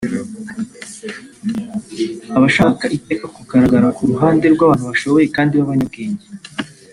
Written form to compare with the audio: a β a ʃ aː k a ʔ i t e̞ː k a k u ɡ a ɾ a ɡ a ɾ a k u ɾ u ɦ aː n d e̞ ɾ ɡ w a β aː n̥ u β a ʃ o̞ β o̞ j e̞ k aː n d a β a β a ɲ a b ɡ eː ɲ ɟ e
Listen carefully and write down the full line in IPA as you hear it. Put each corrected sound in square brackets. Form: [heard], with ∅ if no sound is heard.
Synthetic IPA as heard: a β a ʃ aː k a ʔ i t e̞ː k a k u ɡ a ɾ a ɡ a ɾ a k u ɾ u ɦ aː n d e̞ ɾ ɡ w a β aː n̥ u β a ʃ o̞ β o̞ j e̞ k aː n d [i] β a β a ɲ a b ɡ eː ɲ ɟ e